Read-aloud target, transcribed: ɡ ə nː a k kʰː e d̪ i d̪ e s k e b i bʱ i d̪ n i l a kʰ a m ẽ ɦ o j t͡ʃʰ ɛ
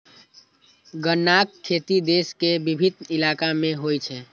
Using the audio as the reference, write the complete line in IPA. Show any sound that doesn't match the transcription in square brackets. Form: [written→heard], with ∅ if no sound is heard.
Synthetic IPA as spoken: ɡ ə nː a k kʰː e [d̪→t̪] i d̪ e s k e b i bʱ i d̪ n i l a [kʰ→k] a m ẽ ɦ o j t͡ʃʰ ɛ